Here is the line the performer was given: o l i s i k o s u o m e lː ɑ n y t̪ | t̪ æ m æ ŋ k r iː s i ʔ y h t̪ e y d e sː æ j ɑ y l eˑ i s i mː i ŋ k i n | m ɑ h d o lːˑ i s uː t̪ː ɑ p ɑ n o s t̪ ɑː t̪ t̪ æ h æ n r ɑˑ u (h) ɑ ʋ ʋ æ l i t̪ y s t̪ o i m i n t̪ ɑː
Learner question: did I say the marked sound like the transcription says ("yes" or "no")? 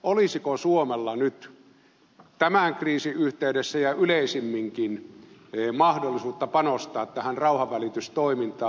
yes